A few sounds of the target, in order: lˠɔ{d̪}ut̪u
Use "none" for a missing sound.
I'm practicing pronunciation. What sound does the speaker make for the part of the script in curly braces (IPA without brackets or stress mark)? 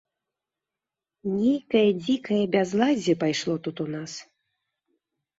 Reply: t̪